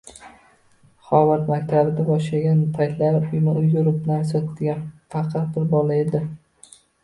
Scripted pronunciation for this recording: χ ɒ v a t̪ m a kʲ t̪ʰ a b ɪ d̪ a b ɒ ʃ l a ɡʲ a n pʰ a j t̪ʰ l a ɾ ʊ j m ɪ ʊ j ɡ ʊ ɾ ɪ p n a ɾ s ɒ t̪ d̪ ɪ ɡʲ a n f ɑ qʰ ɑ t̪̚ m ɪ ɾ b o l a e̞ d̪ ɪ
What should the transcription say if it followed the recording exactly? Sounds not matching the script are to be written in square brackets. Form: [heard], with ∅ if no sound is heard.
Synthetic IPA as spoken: χ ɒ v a t̪ m a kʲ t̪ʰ a b ɪ d̪ a b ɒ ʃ l a ɡʲ a n pʰ a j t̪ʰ l a ɾ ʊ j m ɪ ʊ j ɡ ʊ ɾ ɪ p n a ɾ s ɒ t̪ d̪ ɪ ɡʲ a n f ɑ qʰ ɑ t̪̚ [b] ɪ ɾ b [ɒ] l a e̞ d̪ ɪ